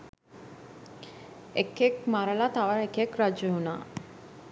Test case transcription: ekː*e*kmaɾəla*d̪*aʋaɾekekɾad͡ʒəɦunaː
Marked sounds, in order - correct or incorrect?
correct, incorrect

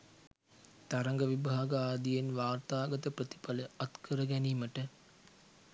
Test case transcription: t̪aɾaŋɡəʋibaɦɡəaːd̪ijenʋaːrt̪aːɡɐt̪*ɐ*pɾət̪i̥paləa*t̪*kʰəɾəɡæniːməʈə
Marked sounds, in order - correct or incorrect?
incorrect, correct

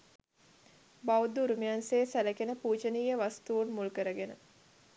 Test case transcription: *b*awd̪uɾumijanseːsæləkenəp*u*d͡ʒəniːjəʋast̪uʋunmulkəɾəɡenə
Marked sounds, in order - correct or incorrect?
correct, incorrect

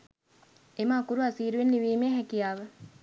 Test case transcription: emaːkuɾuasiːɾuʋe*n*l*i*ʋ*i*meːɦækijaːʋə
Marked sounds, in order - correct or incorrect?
correct, correct, incorrect

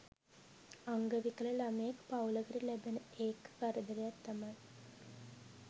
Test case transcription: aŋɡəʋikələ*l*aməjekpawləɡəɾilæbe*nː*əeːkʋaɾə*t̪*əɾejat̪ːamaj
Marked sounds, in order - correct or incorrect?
correct, incorrect, incorrect

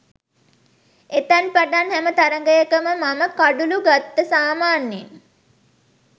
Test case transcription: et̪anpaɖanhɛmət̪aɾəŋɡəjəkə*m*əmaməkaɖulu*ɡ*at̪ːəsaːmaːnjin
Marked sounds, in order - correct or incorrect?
correct, correct

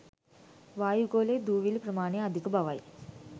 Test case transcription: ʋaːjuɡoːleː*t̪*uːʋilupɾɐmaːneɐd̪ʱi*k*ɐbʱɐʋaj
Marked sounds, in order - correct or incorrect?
incorrect, correct

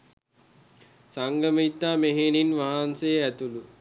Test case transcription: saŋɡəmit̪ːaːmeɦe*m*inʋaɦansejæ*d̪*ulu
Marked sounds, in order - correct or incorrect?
incorrect, incorrect

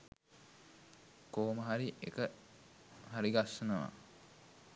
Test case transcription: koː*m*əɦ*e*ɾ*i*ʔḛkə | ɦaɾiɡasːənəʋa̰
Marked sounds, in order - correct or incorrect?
correct, incorrect, correct

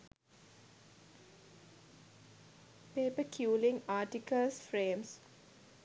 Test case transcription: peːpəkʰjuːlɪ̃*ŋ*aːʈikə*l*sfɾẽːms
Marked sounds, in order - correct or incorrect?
correct, correct

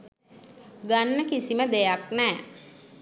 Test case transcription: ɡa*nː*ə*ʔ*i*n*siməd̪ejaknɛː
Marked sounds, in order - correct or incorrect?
correct, incorrect, incorrect

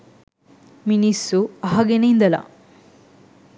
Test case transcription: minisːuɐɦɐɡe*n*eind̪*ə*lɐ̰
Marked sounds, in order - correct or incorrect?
correct, incorrect

